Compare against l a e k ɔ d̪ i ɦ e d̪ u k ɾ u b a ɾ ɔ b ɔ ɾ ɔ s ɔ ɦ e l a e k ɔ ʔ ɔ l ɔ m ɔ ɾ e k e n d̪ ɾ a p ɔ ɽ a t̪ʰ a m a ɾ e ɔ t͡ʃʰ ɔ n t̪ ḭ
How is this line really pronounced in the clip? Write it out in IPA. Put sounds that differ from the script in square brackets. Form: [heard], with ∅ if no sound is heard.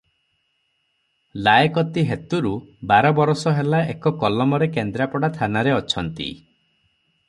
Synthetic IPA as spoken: l a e k ɔ [t̪] i ɦ e [t̪] u [∅] ɾ u b a ɾ ɔ b ɔ ɾ ɔ s ɔ ɦ e l a e k ɔ [k] ɔ l ɔ m ɔ ɾ e k e n d̪ ɾ a p ɔ ɽ a t̪ʰ a [n] a ɾ e ɔ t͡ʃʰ ɔ n t̪ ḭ